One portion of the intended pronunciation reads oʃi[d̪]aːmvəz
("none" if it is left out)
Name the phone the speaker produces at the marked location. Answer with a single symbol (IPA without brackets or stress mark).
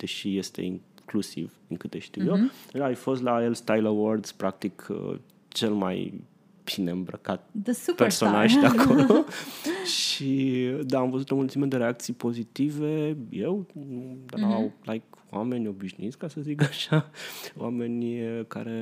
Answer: d̪